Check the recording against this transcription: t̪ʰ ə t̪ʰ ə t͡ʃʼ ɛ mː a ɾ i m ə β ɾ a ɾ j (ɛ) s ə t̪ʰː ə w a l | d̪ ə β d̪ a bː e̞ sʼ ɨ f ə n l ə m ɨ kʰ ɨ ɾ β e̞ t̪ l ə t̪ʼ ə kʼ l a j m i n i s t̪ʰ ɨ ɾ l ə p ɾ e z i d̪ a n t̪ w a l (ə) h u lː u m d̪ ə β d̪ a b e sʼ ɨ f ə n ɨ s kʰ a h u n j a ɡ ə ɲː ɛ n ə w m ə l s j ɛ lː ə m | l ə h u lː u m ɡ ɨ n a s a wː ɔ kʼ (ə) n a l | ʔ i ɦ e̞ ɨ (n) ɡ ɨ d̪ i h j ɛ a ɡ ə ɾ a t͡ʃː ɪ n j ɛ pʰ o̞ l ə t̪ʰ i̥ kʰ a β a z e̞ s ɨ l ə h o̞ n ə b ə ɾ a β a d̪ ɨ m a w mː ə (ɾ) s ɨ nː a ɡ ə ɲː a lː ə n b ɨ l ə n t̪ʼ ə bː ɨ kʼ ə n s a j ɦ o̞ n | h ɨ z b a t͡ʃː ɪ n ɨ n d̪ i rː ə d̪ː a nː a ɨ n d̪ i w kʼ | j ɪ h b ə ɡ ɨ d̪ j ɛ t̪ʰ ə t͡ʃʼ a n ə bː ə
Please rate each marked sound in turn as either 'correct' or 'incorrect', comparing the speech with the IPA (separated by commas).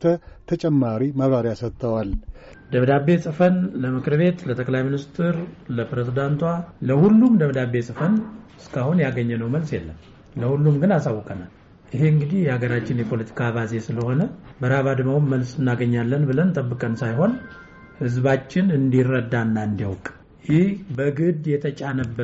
incorrect, correct, correct, incorrect, incorrect